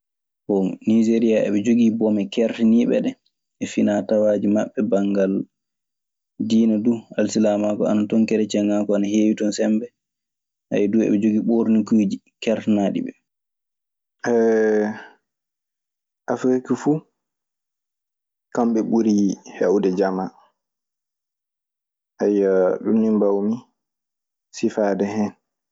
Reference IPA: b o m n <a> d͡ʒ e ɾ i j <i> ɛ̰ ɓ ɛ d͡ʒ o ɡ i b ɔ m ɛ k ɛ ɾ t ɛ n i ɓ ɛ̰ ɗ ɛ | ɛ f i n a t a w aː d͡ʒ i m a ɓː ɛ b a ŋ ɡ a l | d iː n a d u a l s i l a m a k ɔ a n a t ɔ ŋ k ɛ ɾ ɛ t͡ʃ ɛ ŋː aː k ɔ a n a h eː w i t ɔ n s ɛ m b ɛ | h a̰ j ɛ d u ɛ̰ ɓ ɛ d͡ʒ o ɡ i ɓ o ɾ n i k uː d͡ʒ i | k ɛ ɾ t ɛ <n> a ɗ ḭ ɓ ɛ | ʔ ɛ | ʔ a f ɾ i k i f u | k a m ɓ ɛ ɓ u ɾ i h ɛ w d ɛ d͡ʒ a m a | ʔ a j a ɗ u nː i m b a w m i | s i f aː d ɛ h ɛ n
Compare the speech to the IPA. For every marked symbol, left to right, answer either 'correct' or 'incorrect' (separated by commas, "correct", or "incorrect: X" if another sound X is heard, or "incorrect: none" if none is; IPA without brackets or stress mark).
incorrect: i, incorrect: a, correct